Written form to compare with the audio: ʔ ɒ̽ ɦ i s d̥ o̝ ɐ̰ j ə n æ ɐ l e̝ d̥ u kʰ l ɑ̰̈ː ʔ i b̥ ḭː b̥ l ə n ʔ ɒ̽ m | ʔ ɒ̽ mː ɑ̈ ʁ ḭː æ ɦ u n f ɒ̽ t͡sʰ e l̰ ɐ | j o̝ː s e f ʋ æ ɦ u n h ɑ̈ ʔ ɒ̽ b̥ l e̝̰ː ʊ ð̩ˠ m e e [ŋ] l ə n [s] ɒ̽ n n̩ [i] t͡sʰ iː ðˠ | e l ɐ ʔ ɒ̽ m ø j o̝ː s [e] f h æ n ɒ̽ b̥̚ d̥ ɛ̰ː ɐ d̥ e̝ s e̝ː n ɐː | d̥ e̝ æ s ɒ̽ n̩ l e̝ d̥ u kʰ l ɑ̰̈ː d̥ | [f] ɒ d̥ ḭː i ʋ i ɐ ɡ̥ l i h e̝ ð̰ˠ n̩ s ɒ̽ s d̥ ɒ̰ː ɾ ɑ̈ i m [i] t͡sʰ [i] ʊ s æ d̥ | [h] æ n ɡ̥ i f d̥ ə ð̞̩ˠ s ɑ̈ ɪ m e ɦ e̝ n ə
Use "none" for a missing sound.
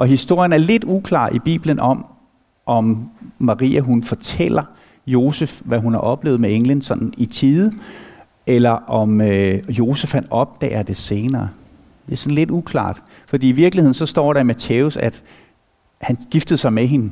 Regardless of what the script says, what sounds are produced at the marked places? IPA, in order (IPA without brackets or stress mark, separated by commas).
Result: ŋ, s, i, e, f, æ, e, h